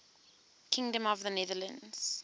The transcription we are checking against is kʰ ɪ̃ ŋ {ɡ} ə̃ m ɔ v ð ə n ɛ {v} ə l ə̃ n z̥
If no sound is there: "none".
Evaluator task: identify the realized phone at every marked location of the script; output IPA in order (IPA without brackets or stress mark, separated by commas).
d, ð